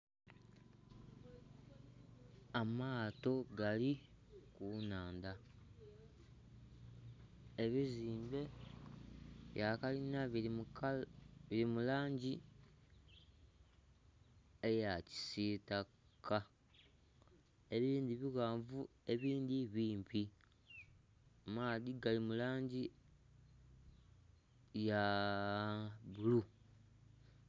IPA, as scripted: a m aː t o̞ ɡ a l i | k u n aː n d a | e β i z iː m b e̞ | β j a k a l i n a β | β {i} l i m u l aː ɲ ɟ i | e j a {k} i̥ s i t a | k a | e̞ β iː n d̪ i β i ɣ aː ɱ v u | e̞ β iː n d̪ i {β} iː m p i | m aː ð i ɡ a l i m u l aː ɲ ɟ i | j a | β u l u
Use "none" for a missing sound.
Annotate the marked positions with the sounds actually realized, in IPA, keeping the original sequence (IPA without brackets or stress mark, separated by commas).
i, c, β